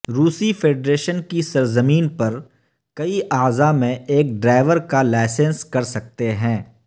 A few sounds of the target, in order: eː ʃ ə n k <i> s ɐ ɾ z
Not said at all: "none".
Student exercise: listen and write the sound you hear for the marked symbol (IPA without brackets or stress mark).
i